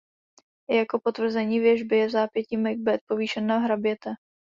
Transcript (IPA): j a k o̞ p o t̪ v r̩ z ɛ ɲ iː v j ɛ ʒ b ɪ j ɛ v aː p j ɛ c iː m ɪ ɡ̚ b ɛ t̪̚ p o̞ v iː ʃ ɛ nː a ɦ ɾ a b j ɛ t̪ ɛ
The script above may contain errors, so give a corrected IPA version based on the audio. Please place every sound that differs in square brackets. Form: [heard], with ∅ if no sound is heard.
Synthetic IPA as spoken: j a k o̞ p o t̪ v r̩ z ɛ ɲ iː v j ɛ ʒ b ɪ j ɛ [z] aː p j ɛ c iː m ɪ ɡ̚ b ɛ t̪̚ p o̞ v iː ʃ ɛ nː a ɦ ɾ a b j ɛ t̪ ɛ